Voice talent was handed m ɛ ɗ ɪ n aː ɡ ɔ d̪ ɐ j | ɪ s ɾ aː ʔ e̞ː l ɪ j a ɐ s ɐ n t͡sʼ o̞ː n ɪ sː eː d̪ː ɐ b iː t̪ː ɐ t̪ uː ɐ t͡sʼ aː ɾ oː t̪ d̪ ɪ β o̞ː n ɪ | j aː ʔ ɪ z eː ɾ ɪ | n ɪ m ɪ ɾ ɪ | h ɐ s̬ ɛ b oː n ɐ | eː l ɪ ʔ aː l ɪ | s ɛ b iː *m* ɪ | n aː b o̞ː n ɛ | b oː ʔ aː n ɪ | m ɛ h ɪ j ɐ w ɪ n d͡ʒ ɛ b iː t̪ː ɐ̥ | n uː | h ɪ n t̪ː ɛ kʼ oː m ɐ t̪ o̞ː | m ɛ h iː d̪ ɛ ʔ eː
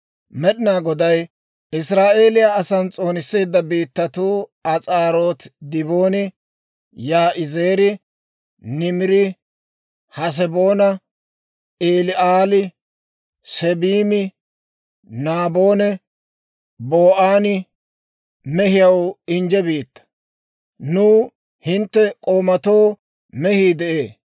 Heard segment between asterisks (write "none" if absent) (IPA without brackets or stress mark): m